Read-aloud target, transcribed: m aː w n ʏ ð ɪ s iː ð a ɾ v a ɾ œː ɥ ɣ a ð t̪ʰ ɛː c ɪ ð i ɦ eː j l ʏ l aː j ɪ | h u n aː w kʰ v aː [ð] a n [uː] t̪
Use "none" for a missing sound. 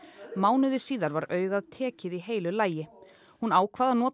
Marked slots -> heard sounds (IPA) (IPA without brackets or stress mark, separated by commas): ð, ɔː